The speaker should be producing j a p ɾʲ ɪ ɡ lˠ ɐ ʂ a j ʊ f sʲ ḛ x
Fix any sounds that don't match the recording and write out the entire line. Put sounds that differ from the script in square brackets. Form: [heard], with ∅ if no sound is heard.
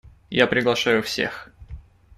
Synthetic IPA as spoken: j a p ɾʲ ɪ ɡ lˠ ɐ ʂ a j ʊ f sʲ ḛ x